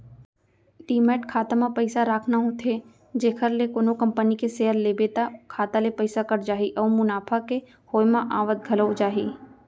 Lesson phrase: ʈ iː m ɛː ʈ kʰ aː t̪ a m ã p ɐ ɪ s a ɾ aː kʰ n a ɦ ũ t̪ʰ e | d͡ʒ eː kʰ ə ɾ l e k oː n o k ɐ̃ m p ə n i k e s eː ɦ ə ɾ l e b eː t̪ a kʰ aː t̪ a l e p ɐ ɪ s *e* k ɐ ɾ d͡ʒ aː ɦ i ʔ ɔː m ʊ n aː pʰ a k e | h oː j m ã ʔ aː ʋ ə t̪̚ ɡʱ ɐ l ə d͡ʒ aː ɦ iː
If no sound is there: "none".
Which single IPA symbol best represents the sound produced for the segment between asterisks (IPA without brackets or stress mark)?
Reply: a